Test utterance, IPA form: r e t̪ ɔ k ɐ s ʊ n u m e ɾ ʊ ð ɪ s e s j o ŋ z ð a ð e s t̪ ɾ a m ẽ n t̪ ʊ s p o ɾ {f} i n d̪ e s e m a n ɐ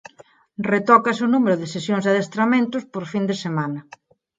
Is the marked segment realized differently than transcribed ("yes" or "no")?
no